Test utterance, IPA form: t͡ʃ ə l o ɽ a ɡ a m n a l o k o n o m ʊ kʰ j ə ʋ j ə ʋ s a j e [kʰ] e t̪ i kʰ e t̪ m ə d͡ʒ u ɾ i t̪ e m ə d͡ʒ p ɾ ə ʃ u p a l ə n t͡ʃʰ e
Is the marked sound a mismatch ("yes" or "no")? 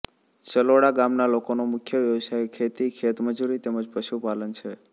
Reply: no